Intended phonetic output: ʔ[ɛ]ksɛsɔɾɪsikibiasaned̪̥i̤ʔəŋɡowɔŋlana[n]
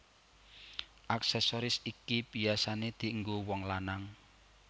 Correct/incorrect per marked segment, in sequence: incorrect: a, incorrect: ŋ

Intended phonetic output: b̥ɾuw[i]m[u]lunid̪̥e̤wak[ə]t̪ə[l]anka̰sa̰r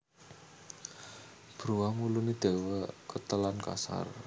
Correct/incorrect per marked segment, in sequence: incorrect: a, correct, correct, correct

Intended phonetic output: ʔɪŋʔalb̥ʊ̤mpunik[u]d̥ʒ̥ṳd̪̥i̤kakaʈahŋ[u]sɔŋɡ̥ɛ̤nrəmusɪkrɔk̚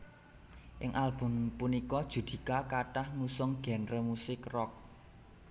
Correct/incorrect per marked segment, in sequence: incorrect: ɔ, correct

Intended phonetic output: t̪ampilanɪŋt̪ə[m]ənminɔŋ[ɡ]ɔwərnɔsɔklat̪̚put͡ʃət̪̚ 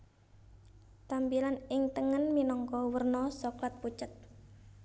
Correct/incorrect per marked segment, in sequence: incorrect: ŋ, incorrect: k

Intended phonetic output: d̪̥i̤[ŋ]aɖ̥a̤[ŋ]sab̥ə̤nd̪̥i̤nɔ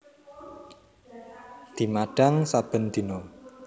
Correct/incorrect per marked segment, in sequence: incorrect: m, correct

